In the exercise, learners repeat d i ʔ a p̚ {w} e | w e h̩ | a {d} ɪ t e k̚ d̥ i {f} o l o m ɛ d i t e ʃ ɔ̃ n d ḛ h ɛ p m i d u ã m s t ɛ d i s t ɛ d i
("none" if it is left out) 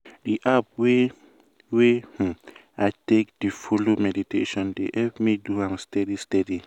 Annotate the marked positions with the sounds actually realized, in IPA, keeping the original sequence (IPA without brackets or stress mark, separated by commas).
w, none, f